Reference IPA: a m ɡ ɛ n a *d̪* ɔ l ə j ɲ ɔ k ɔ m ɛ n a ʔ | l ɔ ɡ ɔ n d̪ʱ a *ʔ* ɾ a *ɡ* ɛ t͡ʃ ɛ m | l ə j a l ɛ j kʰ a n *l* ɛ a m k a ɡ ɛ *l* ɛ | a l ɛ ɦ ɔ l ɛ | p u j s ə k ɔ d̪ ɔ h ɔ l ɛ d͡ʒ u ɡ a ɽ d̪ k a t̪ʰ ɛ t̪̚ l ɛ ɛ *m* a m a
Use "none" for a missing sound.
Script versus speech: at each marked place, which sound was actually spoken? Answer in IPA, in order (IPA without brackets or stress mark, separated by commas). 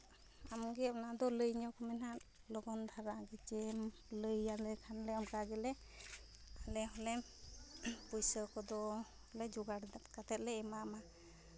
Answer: d̪, none, ɡ, l, l, m